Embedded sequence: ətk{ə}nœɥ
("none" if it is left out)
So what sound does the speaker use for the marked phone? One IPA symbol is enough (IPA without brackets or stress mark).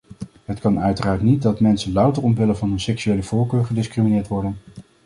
ɑ